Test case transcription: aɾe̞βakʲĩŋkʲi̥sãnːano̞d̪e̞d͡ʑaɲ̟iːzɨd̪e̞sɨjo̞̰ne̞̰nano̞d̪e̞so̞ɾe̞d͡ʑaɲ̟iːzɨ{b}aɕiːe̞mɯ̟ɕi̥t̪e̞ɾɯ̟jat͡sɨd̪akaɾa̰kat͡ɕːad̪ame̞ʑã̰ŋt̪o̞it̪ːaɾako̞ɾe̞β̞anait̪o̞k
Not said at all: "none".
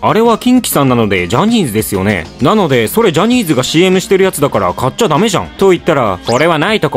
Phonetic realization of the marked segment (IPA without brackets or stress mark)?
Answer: ɡ